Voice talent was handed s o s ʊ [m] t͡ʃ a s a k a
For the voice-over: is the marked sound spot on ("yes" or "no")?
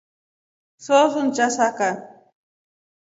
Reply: no